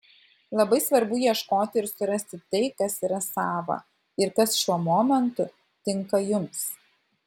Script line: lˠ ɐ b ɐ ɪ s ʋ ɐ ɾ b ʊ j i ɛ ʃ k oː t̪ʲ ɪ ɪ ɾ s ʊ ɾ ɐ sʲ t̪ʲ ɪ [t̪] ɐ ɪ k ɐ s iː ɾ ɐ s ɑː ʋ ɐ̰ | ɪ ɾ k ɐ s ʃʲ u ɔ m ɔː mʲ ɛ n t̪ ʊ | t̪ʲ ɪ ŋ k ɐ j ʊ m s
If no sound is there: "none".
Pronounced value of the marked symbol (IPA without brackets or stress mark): t̪